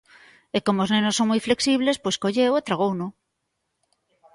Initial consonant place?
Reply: velar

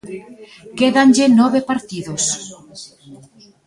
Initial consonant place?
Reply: velar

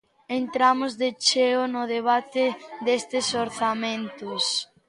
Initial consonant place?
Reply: alveolar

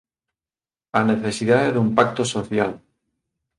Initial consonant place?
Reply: alveolar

